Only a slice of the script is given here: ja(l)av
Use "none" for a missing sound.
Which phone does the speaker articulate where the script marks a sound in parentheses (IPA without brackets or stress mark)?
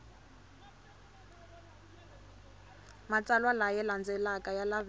l